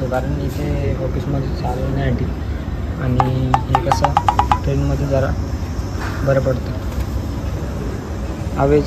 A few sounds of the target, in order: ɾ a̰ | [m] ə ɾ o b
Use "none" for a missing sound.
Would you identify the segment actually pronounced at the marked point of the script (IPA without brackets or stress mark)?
b